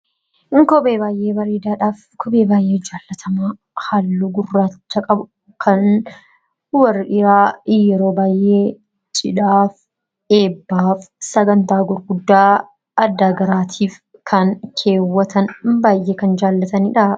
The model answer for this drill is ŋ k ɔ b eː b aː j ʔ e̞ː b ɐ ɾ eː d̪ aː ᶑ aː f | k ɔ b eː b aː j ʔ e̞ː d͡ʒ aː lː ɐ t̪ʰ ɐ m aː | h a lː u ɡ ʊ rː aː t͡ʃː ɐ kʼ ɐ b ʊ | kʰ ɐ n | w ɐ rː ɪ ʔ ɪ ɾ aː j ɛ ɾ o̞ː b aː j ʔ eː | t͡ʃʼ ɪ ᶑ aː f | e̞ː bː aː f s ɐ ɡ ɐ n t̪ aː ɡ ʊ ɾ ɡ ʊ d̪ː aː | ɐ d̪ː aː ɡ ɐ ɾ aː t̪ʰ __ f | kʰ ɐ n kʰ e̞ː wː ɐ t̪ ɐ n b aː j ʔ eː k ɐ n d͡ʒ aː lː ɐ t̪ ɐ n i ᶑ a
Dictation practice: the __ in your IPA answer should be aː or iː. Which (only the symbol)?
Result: iː